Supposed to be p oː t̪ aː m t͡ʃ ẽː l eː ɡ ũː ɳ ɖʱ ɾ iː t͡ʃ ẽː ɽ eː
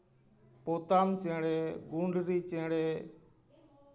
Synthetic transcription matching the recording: p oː t̪ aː m t͡ʃ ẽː ɽ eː ɡ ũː ɳ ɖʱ ɾ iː t͡ʃ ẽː ɽ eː

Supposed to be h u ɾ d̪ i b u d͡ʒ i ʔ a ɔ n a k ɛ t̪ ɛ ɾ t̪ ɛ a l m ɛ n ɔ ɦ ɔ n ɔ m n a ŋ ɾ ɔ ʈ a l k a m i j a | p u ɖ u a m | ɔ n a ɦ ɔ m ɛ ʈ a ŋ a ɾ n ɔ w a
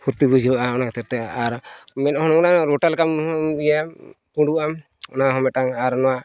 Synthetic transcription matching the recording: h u ɾ t̪ i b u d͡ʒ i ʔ a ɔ n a k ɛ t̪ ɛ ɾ t̪ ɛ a ɾ m ɛ n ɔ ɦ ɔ n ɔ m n a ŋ ɾ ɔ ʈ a l k a m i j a | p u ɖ u a m | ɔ n a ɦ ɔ m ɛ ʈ a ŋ a ɾ n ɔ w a

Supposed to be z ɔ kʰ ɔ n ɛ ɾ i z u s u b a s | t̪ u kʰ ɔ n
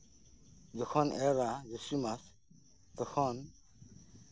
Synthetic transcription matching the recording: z ɔ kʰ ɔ n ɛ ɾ a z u s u m a s | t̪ ɔ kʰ ɔ n

